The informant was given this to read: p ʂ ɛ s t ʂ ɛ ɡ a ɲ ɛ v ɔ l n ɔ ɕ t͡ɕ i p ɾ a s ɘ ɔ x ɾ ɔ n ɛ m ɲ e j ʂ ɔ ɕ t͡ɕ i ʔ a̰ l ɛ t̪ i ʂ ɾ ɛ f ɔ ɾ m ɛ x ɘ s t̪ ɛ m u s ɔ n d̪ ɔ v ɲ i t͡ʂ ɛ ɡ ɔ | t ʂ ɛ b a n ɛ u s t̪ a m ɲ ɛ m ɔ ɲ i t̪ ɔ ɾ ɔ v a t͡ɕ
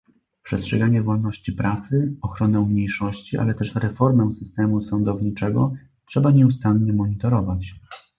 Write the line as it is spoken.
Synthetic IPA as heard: p ʂ ɛ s t ʂ ɛ ɡ a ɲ ɛ v ɔ l n ɔ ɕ t͡ɕ i p ɾ a s ɘ ɔ x ɾ ɔ n ɛ m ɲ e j ʂ ɔ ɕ t͡ɕ i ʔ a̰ l ɛ t̪ ɛ ʂ ɾ ɛ f ɔ ɾ m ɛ s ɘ s t̪ ɛ m u s ɔ n d̪ ɔ v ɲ i t͡ʂ ɛ ɡ ɔ | t ʂ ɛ b a ɲ ɛ u s t̪ a n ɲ ɛ m ɔ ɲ i t̪ ɔ ɾ ɔ v a t͡ɕ